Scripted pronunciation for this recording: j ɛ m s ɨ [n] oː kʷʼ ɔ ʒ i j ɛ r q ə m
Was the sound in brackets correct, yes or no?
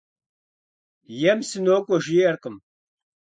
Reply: yes